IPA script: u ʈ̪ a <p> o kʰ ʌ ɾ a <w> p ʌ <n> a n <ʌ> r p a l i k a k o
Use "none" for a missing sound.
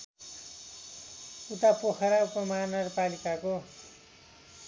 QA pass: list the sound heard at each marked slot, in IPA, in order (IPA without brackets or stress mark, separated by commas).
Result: p, u, m, ʌ